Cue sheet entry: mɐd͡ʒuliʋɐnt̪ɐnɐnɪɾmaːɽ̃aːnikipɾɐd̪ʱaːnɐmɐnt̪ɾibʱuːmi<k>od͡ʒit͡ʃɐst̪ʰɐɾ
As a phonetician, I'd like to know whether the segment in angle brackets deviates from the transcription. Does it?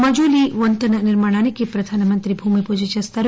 yes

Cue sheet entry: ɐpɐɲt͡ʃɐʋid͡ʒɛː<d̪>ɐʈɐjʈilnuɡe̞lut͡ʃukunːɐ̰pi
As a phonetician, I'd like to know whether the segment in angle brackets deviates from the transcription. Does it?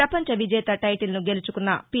yes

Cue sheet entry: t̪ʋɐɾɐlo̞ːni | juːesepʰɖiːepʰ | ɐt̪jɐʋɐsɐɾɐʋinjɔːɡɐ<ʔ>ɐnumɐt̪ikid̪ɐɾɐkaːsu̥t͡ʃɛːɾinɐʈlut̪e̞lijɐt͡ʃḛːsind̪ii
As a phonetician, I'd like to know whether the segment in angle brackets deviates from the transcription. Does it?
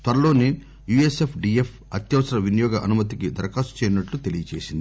no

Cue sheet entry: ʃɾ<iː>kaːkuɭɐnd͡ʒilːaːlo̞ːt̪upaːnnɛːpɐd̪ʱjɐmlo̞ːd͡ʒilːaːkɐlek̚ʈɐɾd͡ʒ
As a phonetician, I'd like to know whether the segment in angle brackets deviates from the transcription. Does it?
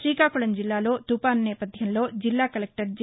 no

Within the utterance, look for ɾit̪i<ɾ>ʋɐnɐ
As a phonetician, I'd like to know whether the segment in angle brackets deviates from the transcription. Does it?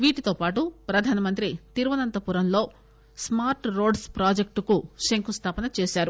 no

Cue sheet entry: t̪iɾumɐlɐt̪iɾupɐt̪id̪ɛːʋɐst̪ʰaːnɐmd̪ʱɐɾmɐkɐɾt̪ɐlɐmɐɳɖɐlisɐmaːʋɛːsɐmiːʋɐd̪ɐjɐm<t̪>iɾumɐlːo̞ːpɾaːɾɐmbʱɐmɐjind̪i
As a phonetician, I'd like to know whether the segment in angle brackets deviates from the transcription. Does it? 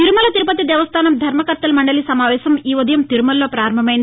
no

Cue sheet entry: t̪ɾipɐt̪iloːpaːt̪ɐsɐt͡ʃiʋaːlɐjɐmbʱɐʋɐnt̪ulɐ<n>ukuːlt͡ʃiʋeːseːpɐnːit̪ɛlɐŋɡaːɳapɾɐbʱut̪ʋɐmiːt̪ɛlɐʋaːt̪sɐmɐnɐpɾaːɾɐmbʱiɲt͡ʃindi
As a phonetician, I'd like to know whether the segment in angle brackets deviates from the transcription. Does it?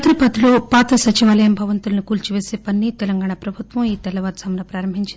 no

